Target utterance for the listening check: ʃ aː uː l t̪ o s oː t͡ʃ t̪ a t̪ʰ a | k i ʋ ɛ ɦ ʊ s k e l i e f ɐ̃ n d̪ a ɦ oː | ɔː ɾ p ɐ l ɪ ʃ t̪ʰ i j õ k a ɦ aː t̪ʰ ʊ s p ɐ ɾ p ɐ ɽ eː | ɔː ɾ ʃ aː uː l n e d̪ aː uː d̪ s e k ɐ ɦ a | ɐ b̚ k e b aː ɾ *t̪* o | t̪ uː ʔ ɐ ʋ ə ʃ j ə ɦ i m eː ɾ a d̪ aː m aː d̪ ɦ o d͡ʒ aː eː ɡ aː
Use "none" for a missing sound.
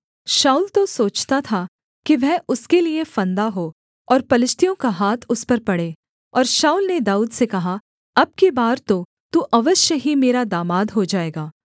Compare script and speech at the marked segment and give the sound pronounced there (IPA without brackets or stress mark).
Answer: t̪